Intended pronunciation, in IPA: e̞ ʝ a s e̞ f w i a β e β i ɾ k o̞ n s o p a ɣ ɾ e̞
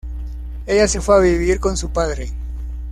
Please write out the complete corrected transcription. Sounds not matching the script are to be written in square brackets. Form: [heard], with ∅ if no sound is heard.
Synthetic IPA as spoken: e̞ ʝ a s e̞ f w [e] a β [i] β i ɾ k o̞ n s [u] p a [ð] ɾ e̞

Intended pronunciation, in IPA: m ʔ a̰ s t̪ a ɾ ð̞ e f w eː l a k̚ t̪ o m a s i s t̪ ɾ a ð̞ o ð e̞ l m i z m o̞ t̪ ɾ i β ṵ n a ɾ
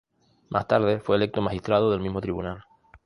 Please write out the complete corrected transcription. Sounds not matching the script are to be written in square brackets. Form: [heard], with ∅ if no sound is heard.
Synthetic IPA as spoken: m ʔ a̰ s t̪ a ɾ ð̞ e f w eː l [e] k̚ t̪ o m a [x] i s t̪ ɾ a ð̞ o ð e̞ l m i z m o̞ t̪ ɾ i β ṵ n a [l]

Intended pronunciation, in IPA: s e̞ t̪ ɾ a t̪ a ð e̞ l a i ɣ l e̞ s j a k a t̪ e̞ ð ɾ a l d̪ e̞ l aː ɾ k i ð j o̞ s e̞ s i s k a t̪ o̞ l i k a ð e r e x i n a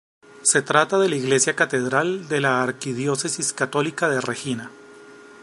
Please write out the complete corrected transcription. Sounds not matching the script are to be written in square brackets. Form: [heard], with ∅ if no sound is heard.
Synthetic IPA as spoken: s e̞ t̪ ɾ a t̪ a ð e̞ l a i ɣ l e̞ s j a k a t̪ e̞ ð ɾ a l d̪ e̞ l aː ɾ k i ð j o̞ s e̞ s i s k a t̪ o̞ l i k a ð e r e x i n a

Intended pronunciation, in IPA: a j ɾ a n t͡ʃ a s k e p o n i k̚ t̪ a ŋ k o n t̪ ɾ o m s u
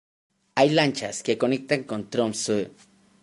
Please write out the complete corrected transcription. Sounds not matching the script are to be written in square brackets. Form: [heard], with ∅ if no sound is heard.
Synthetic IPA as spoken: a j [l] a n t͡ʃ a s k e [k] o n i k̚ t̪ a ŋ k o n t̪ ɾ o m s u

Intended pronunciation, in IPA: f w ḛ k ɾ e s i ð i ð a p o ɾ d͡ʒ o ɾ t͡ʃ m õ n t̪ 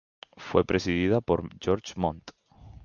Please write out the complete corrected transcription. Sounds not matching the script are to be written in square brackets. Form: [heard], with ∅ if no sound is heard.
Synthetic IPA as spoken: f w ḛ [p] ɾ e s i ð i ð a p o ɾ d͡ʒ o ɾ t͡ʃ m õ n t̪

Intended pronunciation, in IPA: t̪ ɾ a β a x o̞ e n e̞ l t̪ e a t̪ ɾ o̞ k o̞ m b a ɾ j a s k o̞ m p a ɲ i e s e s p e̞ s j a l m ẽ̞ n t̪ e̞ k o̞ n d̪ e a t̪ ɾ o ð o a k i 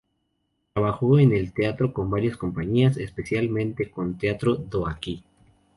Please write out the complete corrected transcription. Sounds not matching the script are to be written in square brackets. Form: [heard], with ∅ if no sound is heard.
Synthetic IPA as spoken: t̪ ɾ a β a x o̞ e n e̞ l t̪ e a t̪ ɾ o̞ k o̞ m b a ɾ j a s k o̞ m p a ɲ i [a] s e s p e̞ s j a l m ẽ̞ n t̪ e̞ k o̞ n [t̪] e a t̪ ɾ o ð o a k i

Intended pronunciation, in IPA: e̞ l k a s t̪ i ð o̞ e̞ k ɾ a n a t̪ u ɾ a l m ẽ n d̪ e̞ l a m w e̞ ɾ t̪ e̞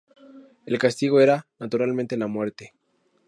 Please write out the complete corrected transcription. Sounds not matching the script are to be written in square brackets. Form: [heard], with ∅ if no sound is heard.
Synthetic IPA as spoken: e̞ l k a s t̪ i [ɣ] o̞ e̞ [∅] ɾ a n a t̪ u ɾ a l m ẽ n [t̪] e̞ l a m w e̞ ɾ t̪ e̞

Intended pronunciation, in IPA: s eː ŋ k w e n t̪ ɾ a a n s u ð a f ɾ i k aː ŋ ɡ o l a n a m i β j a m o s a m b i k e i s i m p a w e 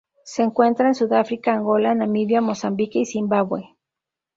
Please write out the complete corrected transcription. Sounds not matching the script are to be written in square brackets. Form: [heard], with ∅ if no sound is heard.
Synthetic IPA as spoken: s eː ŋ k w e n t̪ ɾ a [e] n s u ð a f ɾ i k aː ŋ ɡ o l a n a m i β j a m o s a m b i k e i s i m [b] a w e

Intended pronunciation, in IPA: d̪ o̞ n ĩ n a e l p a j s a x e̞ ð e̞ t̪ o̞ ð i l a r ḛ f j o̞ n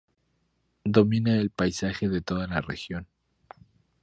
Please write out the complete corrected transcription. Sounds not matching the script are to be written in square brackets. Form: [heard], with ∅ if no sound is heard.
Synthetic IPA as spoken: d̪ o̞ [m] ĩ n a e l p a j s a x e̞ ð e̞ t̪ o̞ ð [a] l a r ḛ [x] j o̞ n

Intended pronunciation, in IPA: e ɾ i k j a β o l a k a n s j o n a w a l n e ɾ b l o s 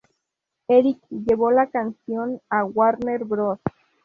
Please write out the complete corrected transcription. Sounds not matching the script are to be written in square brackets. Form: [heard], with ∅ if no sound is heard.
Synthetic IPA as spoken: e ɾ i k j [e] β o l a k a n s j o n a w a [ɾ] n e ɾ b [ɾ] o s

